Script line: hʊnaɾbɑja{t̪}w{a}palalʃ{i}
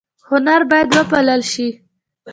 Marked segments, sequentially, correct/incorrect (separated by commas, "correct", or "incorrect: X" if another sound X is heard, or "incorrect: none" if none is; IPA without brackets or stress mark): incorrect: d̪, incorrect: ə, correct